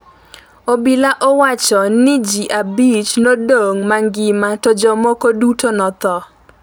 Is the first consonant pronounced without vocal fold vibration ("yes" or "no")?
no